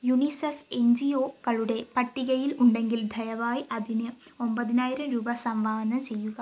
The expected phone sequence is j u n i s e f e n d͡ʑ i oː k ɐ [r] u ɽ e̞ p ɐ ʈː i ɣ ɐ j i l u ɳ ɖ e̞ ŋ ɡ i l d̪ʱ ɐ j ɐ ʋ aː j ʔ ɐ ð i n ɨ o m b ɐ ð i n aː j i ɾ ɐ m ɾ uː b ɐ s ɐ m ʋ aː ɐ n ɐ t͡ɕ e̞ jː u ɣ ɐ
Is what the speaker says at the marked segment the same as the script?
no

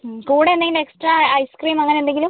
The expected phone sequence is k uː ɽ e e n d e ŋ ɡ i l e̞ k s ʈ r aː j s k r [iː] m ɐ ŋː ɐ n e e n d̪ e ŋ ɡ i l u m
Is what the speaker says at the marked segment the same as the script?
yes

